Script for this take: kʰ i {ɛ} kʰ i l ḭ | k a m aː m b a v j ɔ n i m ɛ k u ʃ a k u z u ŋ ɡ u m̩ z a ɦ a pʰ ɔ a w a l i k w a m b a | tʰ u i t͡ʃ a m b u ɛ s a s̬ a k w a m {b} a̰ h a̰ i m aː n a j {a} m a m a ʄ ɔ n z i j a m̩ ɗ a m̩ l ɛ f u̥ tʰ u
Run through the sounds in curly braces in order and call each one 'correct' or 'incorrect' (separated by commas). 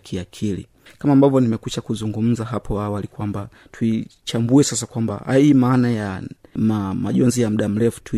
incorrect, correct, correct